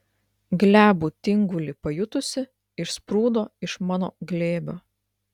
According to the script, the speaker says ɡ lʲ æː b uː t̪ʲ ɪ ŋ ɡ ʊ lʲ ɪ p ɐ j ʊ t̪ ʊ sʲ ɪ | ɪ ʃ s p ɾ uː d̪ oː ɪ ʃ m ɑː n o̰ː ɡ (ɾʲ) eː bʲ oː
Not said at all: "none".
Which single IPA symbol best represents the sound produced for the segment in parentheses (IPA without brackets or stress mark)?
lʲ